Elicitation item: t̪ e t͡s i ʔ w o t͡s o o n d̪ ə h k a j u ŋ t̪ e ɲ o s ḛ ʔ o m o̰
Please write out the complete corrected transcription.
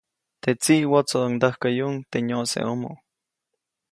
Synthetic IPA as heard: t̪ e t͡s i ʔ w o t͡s o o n d̪ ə h k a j u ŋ t̪ e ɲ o s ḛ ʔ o m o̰